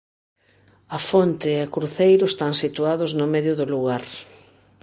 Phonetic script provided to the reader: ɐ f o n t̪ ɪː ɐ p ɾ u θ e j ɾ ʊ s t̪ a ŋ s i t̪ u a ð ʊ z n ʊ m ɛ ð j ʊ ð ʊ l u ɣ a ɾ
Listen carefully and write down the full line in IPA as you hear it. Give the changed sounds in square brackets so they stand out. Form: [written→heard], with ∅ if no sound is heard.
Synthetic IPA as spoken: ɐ f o n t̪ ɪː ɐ [p→k] ɾ u θ e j ɾ ʊ s t̪ a ŋ s i t̪ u a ð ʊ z n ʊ m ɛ ð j ʊ ð ʊ l u ɣ a ɾ